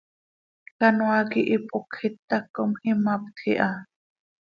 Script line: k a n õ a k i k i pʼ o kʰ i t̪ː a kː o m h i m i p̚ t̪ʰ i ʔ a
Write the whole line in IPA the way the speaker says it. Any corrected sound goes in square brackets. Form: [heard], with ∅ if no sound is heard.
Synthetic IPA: k a n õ a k i [ʔ] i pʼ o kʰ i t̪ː a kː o m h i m [a] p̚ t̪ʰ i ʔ a